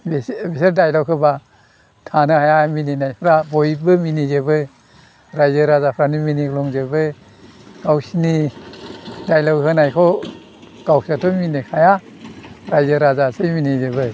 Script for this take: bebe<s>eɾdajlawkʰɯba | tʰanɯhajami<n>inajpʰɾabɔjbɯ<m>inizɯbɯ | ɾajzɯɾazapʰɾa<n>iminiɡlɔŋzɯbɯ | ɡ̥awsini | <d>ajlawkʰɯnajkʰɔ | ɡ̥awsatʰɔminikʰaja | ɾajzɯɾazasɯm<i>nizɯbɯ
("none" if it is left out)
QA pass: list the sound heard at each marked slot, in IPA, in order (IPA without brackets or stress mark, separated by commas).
s, n, m, n, d, i